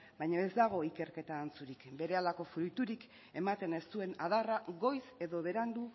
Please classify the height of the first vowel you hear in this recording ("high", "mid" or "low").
low